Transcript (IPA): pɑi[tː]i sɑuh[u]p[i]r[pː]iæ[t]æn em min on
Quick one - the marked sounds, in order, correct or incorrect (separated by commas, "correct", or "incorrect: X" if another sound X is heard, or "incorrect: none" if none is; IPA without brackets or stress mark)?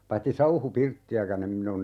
correct, correct, correct, incorrect: tː, incorrect: k